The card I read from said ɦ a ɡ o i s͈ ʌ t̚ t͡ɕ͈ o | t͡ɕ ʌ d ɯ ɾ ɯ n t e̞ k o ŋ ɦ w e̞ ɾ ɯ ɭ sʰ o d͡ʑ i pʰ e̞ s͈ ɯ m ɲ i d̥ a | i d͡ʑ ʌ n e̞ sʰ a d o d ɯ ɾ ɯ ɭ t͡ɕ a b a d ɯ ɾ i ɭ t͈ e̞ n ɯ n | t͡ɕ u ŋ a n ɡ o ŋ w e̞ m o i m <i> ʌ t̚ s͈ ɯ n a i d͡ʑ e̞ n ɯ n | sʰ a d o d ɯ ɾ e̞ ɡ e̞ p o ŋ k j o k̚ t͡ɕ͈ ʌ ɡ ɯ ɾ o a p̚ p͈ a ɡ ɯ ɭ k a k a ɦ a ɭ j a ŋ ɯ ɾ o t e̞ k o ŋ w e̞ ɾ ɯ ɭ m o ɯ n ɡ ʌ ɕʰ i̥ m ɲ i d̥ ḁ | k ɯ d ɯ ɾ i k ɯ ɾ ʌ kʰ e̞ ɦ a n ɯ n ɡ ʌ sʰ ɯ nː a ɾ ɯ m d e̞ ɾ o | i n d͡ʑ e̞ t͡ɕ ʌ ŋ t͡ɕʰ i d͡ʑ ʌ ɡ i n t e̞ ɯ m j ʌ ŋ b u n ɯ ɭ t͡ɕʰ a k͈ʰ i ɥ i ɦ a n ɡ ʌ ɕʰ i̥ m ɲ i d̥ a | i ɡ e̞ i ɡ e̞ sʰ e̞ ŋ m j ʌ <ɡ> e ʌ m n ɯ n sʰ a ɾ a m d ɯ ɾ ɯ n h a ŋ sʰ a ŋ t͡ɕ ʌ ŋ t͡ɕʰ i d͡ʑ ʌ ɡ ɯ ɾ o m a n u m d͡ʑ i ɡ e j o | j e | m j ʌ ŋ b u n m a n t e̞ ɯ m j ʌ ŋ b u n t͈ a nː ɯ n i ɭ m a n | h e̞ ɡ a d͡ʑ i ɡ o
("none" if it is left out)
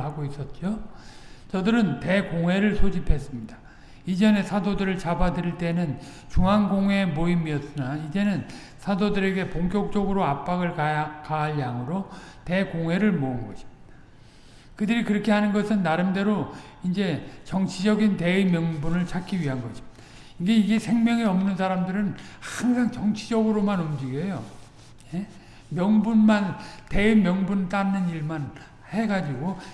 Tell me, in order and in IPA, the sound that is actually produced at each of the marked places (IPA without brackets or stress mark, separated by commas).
i, ŋ